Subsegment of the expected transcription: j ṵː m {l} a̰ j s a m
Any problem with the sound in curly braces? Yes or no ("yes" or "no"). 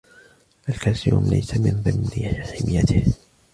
no